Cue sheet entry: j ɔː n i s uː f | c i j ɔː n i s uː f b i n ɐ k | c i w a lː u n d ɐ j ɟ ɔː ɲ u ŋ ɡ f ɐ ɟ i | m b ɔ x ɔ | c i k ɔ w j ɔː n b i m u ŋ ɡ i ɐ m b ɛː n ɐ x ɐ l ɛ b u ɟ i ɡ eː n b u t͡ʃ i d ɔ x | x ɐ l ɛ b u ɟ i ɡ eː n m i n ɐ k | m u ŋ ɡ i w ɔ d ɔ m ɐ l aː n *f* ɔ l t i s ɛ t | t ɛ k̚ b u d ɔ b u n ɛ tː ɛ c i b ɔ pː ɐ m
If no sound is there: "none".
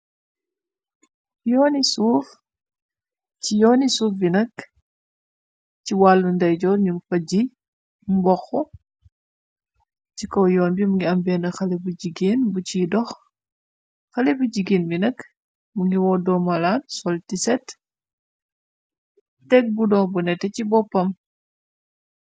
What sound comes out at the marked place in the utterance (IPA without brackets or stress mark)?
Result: s